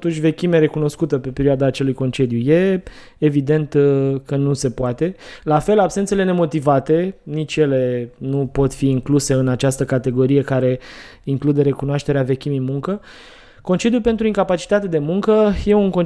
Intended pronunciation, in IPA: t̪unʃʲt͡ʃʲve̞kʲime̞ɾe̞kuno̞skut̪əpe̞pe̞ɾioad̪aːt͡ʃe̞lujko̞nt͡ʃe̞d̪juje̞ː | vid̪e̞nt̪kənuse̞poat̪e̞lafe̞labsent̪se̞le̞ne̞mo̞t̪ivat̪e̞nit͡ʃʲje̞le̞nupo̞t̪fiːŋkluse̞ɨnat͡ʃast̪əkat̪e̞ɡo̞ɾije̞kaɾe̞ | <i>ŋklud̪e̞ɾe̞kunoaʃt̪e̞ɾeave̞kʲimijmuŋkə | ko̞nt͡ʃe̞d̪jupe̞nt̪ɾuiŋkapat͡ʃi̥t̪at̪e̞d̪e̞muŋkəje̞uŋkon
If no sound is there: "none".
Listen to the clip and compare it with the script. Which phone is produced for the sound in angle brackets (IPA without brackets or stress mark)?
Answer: i